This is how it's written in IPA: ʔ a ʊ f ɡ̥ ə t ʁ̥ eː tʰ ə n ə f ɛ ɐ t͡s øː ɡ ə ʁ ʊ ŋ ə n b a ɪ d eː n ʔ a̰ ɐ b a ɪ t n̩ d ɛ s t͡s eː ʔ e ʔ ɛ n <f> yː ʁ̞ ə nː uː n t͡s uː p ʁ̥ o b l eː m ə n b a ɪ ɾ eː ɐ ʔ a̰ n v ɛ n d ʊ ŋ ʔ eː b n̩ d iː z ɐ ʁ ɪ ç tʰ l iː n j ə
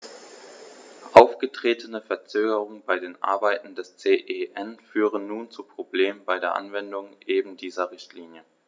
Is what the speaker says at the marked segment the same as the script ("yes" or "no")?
yes